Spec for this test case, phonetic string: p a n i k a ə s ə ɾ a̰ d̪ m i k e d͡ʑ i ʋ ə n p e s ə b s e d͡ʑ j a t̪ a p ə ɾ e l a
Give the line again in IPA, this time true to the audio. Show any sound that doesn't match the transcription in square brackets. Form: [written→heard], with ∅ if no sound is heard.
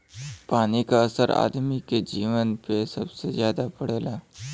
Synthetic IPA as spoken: p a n i k a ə s ə ɾ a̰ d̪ m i k e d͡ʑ i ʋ ə n p e s ə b s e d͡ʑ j a [t̪→d̪] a p ə [ɾ→ɽ] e l a